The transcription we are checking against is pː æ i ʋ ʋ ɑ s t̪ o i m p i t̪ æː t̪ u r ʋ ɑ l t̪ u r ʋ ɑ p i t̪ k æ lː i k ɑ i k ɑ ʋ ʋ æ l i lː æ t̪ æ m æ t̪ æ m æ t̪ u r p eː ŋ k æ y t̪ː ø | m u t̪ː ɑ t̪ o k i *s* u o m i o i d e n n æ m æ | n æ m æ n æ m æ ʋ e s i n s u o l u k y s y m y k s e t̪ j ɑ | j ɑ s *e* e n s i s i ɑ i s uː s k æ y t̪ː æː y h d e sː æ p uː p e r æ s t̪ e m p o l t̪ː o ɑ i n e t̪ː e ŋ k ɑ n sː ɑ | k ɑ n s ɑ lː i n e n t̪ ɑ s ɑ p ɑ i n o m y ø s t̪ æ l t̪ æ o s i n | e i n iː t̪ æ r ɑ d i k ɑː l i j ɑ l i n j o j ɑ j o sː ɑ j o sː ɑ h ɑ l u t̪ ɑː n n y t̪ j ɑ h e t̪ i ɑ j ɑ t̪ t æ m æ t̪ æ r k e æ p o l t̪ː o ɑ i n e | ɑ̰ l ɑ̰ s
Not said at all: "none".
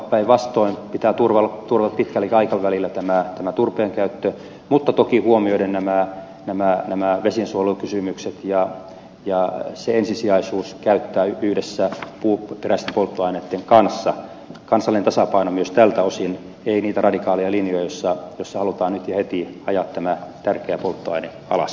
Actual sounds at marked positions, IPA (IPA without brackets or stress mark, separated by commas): h, e